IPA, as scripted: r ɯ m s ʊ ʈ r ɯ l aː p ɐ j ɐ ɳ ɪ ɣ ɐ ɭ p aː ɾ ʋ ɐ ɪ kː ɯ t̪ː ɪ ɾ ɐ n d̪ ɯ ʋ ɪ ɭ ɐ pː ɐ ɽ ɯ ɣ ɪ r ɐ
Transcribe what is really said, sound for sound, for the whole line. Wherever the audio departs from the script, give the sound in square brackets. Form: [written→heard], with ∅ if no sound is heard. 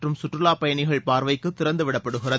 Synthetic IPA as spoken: r ɯ m s ʊ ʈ r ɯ l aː p ɐ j ɐ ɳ ɪ ɣ ɐ ɭ p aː ɾ ʋ ɐ ɪ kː ɯ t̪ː ɪ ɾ ɐ n d̪ ɯ ʋ ɪ [ɭ→ɽ] ɐ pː ɐ ɽ ɯ ɣ ɪ r ɐ